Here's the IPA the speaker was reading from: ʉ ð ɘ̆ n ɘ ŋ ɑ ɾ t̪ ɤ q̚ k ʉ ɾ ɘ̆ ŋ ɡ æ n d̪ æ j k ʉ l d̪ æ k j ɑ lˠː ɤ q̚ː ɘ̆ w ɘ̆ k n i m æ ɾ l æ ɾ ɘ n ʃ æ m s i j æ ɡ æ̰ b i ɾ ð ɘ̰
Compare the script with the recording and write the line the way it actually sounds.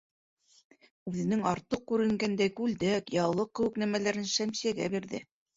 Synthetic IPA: ʉ ð ɘ̆ n ɘ ŋ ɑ ɾ t̪ ɤ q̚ k ʉ ɾ ɘ̆ ŋ ɡ æ n d̪ æ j k ʉ l d̪ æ k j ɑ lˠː ɤ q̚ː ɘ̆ w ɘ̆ k n æ m æ l æ ɾ ɘ n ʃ æ m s i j æ ɡ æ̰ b i ɾ ð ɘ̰